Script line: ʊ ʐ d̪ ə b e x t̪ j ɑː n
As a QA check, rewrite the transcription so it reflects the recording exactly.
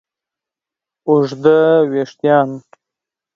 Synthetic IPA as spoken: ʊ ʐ d̪ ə w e ʂ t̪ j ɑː n